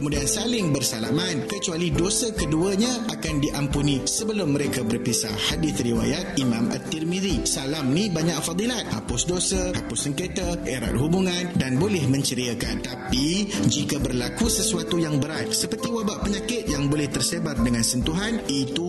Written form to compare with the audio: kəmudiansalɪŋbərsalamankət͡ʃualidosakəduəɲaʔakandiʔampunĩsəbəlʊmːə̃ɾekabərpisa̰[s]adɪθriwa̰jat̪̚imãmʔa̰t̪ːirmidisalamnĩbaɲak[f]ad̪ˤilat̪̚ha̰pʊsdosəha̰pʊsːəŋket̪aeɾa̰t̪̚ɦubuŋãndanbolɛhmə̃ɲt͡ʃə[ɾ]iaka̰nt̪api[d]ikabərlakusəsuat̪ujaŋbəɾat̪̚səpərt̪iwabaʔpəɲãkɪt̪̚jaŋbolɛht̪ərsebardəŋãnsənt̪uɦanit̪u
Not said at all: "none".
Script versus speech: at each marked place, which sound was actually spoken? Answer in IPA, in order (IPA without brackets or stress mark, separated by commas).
h, f, ɾ, d͡ʒ